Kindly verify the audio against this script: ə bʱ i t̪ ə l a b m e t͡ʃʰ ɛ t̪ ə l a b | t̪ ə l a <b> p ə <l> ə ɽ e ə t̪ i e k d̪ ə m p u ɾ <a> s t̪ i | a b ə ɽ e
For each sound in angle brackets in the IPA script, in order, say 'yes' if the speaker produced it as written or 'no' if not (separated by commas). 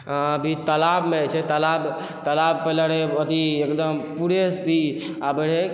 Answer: yes, yes, no